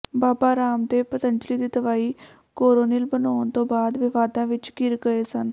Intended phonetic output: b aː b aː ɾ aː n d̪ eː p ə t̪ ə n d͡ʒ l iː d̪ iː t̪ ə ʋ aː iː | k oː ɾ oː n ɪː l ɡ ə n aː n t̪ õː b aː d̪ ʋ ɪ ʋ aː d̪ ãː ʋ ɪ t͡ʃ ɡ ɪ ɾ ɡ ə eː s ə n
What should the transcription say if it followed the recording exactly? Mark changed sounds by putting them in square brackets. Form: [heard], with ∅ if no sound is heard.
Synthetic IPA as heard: b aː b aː ɾ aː [m] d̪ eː p ə t̪ ə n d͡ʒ l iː d̪ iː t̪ ə ʋ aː iː | k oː ɾ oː n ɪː l [b] ə n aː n t̪ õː b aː d̪ ʋ ɪ ʋ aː d̪ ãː ʋ ɪ t͡ʃ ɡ ɪ ɾ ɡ ə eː s ə n